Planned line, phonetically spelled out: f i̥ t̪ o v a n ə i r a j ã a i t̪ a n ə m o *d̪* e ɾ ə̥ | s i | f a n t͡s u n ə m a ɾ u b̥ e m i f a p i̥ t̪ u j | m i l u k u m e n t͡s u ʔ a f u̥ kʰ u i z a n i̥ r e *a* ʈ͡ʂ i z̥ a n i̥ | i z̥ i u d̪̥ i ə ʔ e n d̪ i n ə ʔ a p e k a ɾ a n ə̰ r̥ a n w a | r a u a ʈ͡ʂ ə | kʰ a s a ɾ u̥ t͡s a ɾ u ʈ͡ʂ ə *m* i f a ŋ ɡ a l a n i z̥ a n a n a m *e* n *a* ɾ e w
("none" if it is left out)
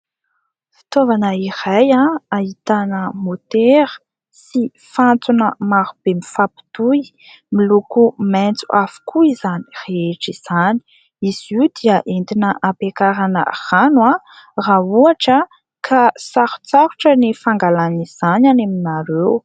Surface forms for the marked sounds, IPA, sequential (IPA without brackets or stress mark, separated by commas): t̪, e, n, i, a